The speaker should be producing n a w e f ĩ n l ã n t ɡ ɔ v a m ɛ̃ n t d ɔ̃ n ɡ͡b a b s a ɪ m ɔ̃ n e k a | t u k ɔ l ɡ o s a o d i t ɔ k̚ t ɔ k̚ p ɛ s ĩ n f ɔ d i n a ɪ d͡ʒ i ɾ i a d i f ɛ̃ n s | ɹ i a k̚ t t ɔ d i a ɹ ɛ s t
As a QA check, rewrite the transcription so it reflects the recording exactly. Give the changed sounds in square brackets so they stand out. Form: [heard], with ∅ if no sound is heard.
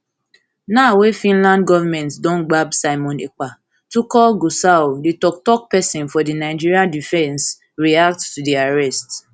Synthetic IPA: n a w e f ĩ n l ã n [d] ɡ ɔ v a m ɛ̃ n t d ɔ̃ n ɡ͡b a b s a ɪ m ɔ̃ n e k a | t u k ɔ l ɡ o s a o d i t ɔ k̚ t ɔ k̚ p ɛ s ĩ n f ɔ d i n a ɪ d͡ʒ i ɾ i a d i f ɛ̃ n s | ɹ i a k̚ t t [u] d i a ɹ ɛ s t